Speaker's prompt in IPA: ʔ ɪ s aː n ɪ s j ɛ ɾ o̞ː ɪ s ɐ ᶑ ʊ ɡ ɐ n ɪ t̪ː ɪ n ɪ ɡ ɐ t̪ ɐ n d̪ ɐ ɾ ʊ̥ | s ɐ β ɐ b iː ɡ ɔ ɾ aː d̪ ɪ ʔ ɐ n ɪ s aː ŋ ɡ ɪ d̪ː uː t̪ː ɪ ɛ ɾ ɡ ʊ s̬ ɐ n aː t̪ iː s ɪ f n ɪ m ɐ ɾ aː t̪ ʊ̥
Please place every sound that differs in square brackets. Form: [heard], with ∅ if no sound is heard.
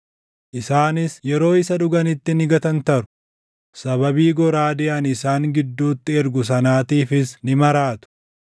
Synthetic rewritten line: ʔ ɪ s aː n ɪ s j ɛ ɾ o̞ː ɪ s ɐ ᶑ ʊ ɡ ɐ n ɪ t̪ː ɪ n ɪ ɡ ɐ t̪ ɐ n [t̪] ɐ ɾ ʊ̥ | s ɐ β ɐ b iː ɡ ɔ ɾ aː d̪ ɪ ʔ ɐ n ɪ s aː ŋ ɡ ɪ d̪ː uː t̪ː ɪ ɛ ɾ ɡ ʊ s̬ ɐ n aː t̪ iː [f] ɪ [s] n ɪ m ɐ ɾ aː t̪ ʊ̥